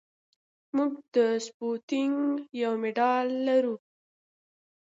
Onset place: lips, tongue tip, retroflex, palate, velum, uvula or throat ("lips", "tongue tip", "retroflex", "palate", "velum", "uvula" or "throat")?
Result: lips